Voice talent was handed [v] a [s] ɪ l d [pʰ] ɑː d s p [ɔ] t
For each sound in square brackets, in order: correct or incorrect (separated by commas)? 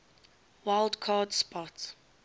incorrect, incorrect, incorrect, correct